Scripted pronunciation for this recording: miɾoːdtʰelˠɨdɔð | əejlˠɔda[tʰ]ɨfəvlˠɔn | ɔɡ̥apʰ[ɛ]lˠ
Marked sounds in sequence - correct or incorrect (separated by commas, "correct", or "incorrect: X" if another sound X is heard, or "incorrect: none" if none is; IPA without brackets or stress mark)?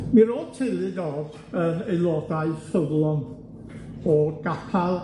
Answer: incorrect: none, incorrect: a